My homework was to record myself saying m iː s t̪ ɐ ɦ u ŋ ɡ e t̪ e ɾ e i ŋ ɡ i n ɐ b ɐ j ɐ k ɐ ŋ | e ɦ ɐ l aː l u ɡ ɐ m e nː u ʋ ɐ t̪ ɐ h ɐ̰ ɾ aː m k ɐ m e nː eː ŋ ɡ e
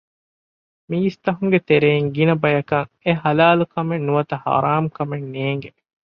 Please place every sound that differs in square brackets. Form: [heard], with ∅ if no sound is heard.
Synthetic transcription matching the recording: m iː s t̪ ɐ ɦ u ŋ ɡ e t̪ e ɾ e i ŋ ɡ i n ɐ b ɐ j ɐ k ɐ ŋ | e ɦ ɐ l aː l u [k] ɐ m e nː u ʋ ɐ t̪ ɐ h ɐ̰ ɾ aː m k ɐ m e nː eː ŋ ɡ e